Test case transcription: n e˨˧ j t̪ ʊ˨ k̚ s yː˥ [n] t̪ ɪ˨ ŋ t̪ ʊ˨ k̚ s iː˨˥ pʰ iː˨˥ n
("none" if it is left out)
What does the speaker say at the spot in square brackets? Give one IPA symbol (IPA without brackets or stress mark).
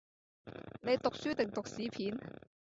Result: none